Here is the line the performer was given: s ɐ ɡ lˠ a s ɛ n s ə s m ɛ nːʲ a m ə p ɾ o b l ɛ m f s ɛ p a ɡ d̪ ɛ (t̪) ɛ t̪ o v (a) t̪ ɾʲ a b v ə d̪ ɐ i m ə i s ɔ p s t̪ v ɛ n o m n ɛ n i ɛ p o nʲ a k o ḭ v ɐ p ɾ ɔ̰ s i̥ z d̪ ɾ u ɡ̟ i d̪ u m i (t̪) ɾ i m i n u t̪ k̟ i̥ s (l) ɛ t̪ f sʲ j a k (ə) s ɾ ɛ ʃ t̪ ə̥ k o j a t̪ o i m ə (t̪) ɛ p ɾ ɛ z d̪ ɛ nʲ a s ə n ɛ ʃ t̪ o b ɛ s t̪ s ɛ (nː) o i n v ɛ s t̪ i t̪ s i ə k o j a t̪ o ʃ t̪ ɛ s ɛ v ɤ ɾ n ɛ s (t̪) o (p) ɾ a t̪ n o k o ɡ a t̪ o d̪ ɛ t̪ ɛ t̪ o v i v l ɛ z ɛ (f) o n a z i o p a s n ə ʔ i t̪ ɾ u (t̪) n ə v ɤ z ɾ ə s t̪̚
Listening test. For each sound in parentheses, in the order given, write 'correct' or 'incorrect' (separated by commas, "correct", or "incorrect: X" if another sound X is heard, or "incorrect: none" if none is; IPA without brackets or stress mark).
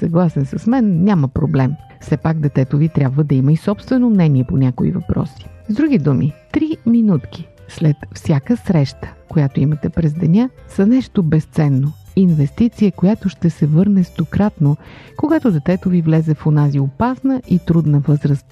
correct, incorrect: i, correct, correct, correct, correct, correct, correct, incorrect: k, correct, incorrect: d̪